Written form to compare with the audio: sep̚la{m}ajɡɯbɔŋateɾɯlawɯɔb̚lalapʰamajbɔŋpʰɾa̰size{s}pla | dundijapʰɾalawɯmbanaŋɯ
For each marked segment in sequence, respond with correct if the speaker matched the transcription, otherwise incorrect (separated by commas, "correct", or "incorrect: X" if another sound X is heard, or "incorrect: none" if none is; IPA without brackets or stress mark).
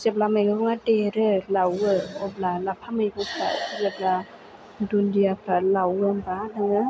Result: correct, incorrect: none